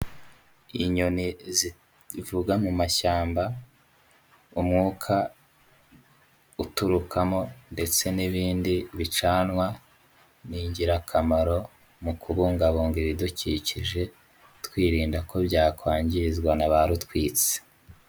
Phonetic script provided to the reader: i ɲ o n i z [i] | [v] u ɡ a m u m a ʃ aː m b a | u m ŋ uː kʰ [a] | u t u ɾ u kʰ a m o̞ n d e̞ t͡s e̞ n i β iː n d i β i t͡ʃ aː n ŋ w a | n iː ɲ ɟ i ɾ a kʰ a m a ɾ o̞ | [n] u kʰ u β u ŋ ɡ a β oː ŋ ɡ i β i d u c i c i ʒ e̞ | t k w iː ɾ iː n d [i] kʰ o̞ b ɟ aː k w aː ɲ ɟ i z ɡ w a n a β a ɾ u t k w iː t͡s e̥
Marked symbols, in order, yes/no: yes, yes, yes, no, no

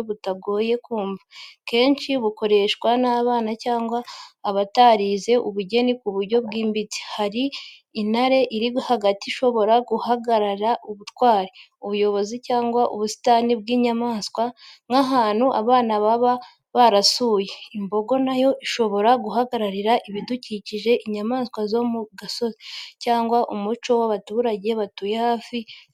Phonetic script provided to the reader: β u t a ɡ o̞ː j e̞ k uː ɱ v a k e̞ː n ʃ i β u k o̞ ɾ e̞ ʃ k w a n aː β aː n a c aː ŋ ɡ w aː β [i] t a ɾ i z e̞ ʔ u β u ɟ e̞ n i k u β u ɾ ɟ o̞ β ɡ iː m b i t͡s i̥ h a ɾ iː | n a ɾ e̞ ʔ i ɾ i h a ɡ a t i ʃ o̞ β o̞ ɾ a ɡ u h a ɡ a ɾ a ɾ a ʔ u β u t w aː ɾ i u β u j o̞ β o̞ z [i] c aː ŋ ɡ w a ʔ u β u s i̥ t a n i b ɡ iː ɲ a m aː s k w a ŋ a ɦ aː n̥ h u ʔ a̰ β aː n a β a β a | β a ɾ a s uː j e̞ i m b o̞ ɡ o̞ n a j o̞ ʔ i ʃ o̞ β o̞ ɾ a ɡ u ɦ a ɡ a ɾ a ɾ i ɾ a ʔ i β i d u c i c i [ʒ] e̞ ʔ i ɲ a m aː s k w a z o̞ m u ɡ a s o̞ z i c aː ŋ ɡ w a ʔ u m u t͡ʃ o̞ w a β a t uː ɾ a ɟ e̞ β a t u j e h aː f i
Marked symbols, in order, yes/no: no, yes, yes

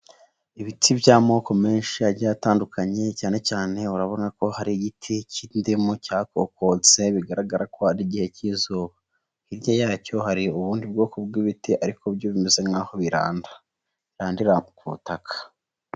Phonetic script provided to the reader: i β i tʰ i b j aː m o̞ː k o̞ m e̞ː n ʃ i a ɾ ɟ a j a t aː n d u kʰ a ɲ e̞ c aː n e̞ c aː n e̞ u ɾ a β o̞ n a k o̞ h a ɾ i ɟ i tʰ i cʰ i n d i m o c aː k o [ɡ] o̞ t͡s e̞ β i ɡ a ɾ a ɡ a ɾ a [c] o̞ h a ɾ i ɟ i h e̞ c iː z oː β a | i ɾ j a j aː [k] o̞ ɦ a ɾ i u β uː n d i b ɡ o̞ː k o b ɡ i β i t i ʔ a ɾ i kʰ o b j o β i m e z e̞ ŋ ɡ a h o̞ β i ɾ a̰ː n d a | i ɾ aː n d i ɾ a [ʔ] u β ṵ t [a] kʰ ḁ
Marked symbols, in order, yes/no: no, no, no, no, yes

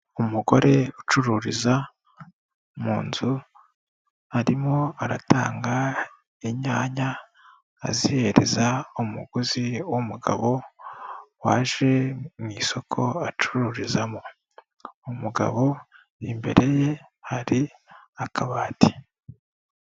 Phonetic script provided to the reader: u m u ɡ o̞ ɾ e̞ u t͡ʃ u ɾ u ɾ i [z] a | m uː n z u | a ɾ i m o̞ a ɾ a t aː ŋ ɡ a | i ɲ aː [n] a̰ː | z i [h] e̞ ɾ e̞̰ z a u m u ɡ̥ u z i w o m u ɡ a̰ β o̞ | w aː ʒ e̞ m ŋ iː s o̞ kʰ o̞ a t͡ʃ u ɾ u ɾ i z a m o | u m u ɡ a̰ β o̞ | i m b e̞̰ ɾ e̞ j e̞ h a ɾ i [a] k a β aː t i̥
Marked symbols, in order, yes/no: yes, no, yes, yes

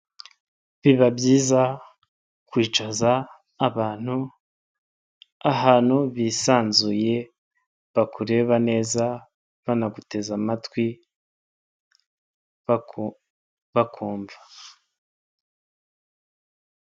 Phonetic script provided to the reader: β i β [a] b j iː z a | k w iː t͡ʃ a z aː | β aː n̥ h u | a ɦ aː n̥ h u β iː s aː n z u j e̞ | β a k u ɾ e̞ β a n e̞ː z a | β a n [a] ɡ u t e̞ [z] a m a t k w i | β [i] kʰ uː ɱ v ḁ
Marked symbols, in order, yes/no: yes, yes, yes, no

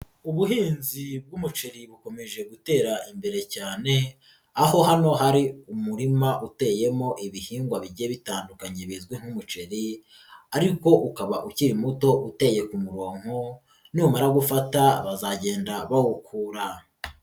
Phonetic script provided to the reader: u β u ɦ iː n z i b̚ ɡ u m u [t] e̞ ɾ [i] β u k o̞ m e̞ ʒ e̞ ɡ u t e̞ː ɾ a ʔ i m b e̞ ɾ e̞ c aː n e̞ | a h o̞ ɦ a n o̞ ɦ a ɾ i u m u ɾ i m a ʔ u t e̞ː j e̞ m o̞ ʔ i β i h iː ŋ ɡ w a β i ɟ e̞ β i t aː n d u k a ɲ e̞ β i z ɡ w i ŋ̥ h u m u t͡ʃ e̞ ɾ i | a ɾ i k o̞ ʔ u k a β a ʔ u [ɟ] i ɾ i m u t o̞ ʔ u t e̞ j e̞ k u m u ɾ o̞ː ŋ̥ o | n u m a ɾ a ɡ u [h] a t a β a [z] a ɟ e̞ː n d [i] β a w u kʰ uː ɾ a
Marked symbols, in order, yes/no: no, yes, no, no, yes, no

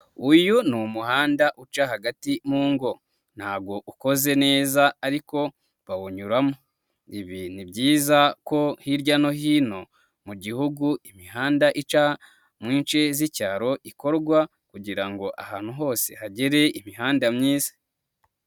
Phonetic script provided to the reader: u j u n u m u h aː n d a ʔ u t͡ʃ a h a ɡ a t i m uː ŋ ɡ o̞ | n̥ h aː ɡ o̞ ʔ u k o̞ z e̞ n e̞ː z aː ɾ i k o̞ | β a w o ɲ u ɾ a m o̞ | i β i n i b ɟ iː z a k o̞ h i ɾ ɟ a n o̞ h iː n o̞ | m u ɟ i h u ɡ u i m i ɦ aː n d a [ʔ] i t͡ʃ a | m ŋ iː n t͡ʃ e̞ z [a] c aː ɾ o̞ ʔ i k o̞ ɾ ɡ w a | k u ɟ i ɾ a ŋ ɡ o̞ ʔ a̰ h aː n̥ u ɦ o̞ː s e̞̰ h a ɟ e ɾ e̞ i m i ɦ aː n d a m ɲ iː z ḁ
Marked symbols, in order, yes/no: yes, no

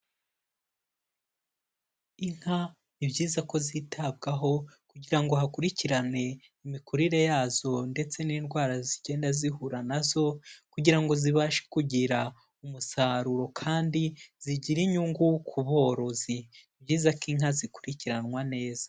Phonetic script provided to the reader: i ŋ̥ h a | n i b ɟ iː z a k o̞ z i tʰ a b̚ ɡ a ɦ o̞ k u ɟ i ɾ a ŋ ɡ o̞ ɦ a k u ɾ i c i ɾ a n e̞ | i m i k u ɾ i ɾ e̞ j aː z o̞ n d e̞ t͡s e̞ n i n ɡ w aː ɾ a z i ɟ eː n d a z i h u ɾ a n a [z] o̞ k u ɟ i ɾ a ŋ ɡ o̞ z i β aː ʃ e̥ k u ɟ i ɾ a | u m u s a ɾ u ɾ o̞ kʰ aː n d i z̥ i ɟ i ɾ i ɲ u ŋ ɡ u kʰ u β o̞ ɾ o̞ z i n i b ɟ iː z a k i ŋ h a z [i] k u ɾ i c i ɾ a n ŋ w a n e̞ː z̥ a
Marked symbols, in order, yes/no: yes, yes

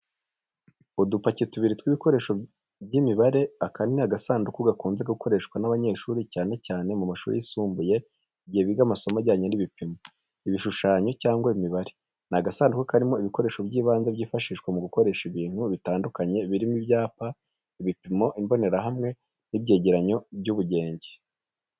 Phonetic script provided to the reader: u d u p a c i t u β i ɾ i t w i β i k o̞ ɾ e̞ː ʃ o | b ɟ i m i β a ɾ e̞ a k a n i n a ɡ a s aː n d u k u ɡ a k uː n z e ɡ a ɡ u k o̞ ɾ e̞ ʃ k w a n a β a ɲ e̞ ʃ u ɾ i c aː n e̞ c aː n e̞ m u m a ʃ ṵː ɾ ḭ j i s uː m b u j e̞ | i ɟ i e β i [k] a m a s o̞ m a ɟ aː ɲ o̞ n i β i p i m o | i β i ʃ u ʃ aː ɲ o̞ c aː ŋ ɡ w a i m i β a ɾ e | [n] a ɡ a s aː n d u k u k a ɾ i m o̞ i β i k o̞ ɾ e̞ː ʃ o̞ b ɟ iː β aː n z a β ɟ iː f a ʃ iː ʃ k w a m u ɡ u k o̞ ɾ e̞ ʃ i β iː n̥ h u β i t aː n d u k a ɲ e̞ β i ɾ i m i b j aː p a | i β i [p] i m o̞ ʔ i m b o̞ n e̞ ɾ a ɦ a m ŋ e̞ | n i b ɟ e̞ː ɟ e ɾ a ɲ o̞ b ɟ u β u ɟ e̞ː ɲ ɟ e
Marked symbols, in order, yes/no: no, yes, yes

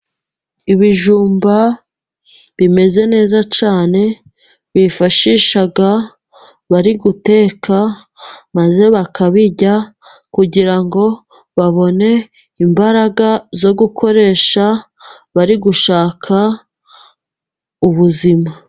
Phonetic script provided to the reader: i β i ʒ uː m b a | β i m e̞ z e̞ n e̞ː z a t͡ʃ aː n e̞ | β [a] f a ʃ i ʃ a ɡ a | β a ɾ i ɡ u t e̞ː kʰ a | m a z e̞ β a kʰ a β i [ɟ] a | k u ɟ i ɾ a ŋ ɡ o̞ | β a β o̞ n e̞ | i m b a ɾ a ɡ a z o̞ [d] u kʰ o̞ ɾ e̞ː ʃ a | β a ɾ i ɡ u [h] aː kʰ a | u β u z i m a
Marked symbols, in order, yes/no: no, yes, no, no

